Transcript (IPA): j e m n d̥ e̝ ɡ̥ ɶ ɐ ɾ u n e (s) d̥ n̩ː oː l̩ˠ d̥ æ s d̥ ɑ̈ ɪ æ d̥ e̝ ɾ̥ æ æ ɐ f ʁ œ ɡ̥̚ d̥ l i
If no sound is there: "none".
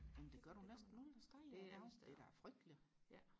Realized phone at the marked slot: s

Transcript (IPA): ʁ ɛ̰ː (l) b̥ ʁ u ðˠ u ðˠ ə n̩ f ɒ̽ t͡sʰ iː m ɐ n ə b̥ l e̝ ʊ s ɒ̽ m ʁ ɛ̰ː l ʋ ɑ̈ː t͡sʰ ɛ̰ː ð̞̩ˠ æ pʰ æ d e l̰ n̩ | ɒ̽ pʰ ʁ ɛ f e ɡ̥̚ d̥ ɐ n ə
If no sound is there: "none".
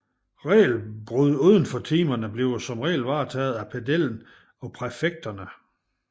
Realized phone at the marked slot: l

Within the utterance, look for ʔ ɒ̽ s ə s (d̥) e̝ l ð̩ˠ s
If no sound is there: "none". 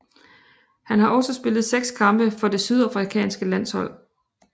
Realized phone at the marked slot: b̥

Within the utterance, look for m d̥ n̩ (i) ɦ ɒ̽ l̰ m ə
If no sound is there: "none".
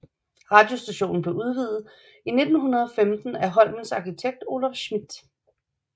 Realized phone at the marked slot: æ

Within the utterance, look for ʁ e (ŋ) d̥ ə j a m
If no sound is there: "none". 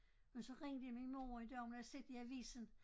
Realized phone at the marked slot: ŋ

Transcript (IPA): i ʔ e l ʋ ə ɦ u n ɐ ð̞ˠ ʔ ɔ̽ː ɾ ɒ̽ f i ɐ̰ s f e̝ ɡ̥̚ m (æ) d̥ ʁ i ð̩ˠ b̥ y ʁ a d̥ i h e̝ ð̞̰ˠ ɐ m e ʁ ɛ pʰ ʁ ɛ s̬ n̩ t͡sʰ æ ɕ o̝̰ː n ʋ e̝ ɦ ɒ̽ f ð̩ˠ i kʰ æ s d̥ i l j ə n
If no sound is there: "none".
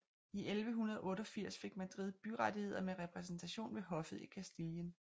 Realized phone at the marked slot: æ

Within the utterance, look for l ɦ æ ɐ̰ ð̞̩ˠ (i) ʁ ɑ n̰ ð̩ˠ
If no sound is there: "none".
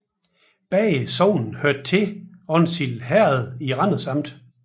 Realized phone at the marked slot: i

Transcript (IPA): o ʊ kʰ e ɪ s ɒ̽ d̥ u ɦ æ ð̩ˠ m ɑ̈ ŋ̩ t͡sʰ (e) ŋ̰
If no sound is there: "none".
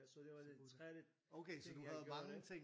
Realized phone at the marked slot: e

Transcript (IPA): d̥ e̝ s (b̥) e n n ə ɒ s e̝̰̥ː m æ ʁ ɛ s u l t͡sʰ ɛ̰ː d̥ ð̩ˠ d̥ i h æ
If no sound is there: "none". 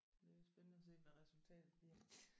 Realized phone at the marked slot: b̥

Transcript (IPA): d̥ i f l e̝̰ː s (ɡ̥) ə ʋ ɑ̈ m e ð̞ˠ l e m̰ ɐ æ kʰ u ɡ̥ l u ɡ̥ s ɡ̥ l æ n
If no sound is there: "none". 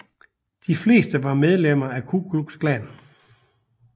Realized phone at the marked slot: d̥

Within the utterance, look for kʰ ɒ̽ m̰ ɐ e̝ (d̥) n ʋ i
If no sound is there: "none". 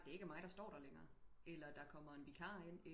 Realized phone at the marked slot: none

